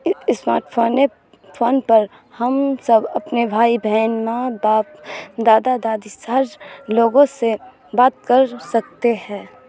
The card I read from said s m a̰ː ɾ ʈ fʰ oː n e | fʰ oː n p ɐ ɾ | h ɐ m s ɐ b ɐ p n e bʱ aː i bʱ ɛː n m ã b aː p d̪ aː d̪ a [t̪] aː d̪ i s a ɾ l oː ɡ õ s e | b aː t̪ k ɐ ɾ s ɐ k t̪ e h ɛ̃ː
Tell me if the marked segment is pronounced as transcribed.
no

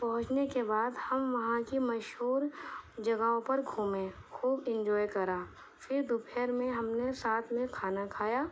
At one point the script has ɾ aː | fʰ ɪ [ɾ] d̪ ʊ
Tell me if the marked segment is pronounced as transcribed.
yes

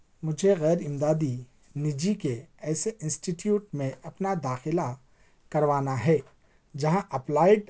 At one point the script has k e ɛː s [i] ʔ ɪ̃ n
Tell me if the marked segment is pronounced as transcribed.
no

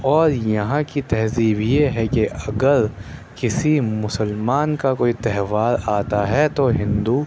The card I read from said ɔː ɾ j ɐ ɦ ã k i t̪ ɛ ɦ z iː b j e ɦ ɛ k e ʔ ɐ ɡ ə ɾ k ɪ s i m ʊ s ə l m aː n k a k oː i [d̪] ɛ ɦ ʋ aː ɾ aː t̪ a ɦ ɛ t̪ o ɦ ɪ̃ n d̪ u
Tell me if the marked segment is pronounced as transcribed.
no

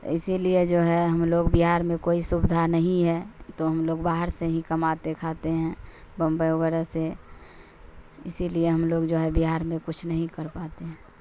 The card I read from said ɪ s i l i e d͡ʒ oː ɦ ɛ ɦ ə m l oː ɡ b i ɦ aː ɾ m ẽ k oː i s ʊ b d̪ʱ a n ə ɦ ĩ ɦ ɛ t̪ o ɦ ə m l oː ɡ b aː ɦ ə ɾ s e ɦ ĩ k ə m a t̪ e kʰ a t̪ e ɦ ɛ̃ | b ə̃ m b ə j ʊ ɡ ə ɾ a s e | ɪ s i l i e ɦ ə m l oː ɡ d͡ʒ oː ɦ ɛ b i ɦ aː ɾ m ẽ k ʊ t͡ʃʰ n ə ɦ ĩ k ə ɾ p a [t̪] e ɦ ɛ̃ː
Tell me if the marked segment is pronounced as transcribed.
yes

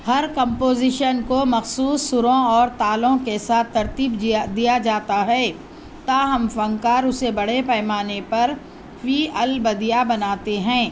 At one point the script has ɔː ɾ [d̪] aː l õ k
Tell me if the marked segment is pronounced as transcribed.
no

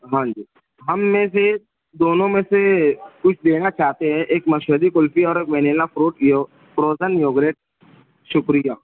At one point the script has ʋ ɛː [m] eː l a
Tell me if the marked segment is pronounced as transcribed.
no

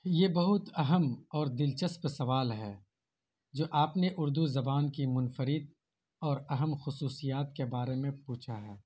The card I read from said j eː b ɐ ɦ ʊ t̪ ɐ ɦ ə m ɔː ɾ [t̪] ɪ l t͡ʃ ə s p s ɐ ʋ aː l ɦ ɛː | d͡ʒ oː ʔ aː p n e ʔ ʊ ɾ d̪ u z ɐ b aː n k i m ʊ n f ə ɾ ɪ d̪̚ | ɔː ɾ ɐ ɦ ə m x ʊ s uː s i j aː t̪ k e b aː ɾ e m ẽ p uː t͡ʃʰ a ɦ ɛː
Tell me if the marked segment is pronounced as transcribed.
no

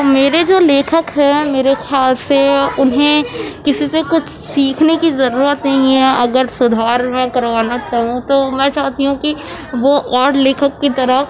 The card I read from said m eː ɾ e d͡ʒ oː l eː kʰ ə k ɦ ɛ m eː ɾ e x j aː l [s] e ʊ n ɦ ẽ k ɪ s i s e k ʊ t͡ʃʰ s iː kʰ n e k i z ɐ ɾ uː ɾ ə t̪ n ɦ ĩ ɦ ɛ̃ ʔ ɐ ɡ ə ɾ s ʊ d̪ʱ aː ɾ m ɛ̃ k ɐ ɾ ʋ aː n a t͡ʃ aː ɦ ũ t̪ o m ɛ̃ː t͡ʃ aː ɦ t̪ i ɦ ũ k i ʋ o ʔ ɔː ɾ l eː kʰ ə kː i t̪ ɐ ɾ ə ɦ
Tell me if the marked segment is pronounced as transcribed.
yes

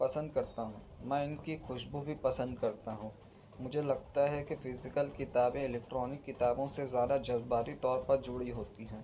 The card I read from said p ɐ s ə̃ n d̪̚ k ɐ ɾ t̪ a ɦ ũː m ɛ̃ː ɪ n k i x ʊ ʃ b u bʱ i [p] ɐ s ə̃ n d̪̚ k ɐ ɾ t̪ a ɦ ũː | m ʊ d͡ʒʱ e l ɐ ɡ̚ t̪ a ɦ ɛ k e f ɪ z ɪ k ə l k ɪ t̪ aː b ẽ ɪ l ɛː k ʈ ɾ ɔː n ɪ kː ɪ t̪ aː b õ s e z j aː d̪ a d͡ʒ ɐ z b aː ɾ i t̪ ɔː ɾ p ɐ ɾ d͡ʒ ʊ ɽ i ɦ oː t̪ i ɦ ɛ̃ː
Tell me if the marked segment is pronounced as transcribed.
yes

